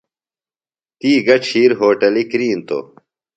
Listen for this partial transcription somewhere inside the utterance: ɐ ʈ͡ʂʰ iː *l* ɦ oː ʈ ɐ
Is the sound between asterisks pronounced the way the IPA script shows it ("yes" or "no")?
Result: no